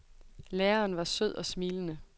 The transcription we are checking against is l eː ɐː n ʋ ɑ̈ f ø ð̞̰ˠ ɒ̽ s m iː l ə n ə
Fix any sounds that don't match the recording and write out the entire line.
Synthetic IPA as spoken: l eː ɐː n ʋ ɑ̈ s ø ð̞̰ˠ ɒ̽ s m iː l ə n ə